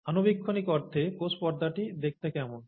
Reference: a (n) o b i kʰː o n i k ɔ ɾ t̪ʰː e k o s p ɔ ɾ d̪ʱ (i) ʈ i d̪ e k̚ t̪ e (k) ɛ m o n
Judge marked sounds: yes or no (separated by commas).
yes, no, yes